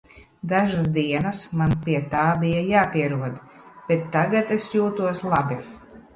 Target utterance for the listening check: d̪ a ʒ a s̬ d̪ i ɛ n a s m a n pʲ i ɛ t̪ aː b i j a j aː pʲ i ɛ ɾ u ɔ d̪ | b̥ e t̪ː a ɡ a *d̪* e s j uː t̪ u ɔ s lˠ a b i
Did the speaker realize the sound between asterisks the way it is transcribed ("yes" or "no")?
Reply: no